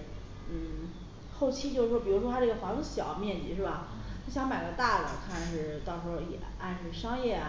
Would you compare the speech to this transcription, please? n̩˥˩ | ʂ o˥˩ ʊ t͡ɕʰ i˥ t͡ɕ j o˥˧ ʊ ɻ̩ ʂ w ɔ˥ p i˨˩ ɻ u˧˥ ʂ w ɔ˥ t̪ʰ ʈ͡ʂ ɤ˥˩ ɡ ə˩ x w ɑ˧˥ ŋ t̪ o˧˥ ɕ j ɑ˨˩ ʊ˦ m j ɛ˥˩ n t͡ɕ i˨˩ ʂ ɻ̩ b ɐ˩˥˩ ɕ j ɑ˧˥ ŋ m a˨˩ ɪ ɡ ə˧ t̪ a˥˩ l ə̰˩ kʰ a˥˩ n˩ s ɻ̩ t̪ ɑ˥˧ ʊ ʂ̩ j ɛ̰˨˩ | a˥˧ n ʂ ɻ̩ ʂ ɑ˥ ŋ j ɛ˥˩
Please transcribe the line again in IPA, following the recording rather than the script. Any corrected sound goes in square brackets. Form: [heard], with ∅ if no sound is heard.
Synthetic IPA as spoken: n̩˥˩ | [x] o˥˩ ʊ t͡ɕʰ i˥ t͡ɕ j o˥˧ ʊ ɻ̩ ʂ w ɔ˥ p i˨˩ ɻ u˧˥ ʂ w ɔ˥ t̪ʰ ʈ͡ʂ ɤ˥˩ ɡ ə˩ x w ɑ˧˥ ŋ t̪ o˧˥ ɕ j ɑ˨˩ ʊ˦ m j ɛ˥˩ n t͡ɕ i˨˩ ʂ ɻ̩ b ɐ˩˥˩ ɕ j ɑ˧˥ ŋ m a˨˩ ɪ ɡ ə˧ t̪ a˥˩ l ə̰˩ kʰ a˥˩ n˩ [ʂ] ɻ̩ t̪ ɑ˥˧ ʊ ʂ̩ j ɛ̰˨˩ | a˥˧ n ʂ ɻ̩ ʂ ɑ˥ ŋ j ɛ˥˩

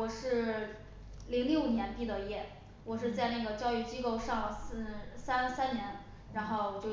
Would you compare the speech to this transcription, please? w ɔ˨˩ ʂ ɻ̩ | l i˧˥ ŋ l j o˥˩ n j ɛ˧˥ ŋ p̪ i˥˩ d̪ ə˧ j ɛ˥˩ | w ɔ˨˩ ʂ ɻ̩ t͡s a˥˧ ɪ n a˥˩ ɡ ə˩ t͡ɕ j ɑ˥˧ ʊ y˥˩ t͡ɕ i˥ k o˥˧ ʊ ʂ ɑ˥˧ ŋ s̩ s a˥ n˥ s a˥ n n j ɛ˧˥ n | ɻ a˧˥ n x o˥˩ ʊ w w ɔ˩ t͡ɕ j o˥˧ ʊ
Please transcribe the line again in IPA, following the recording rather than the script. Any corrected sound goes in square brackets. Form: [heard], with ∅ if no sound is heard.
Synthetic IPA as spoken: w ɔ˨˩ ʂ ɻ̩ | l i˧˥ ŋ l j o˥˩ n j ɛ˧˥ [n] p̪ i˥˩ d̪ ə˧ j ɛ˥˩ | w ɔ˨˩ ʂ ɻ̩ t͡s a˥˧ ɪ n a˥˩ ɡ ə˩ t͡ɕ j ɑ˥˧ ʊ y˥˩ t͡ɕ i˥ k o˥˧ ʊ ʂ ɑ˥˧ ŋ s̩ s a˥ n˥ s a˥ n n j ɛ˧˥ n | ɻ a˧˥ n x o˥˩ ʊ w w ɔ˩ t͡ɕ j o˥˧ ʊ

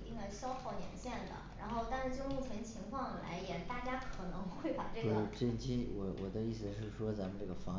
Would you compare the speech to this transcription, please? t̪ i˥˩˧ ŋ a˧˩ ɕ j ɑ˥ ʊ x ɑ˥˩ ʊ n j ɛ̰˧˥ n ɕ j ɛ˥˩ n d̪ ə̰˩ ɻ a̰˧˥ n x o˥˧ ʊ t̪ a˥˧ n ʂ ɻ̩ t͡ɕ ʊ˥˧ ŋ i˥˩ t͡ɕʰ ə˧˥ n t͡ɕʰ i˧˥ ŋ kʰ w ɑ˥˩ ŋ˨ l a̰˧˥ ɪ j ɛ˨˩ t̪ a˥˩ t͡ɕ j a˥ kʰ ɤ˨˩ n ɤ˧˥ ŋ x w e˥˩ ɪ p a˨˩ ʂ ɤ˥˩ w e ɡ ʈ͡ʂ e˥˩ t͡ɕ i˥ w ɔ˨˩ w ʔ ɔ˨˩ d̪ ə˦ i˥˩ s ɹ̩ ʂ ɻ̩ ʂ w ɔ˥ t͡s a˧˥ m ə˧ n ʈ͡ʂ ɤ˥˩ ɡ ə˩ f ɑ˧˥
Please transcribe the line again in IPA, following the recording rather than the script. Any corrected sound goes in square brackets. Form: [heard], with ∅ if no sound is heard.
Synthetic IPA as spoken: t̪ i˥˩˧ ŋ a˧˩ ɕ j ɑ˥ ʊ x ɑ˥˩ ʊ n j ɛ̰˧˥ n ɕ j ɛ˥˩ n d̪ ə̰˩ ɻ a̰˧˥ n x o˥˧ ʊ t̪ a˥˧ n ʂ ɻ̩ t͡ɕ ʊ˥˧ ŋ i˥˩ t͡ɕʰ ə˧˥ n t͡ɕʰ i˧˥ ŋ kʰ w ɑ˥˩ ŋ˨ l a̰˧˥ ɪ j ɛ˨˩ t̪ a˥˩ t͡ɕ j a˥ kʰ ɤ˨˩ n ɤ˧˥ ŋ x w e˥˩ ɪ p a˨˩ [ʈ͡ʂ] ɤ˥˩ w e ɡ ʈ͡ʂ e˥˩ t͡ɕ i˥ w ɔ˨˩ w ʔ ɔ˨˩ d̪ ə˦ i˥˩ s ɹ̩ ʂ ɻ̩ ʂ w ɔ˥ t͡s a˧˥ m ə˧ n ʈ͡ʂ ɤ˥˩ ɡ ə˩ f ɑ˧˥

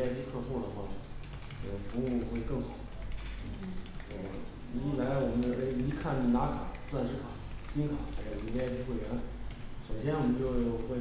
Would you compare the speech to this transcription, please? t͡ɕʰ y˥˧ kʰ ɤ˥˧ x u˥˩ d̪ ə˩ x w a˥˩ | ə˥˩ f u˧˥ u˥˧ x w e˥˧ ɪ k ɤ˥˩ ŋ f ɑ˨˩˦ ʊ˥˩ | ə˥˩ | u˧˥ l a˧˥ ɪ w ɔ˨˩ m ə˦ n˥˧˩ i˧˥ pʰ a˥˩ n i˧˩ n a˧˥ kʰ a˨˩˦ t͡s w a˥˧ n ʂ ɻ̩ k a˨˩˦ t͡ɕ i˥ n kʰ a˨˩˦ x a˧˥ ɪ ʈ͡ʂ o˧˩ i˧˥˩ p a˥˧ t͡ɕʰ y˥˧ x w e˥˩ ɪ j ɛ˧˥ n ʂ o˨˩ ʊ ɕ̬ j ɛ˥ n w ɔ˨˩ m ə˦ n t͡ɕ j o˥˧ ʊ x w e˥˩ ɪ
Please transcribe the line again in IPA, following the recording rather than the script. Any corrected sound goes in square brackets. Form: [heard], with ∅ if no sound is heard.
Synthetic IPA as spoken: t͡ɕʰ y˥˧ kʰ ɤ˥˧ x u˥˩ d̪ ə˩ x w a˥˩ | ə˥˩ f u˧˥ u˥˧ x w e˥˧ ɪ k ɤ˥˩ ŋ [x] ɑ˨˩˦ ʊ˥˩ | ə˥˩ | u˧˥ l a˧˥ ɪ w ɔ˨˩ m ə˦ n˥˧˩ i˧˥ [kʰ] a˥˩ n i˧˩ n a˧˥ kʰ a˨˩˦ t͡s w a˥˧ n ʂ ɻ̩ [kʰ] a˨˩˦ t͡ɕ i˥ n kʰ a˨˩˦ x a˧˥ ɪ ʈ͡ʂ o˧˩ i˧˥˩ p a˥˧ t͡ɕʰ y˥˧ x w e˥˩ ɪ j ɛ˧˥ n ʂ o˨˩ ʊ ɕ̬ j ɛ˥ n w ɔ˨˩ m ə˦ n t͡ɕ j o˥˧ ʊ x w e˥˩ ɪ

